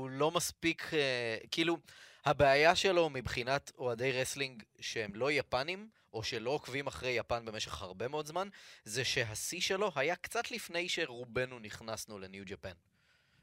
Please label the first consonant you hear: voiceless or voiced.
voiced